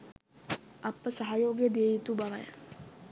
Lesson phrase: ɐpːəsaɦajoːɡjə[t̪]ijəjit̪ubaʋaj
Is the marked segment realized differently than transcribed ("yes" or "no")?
yes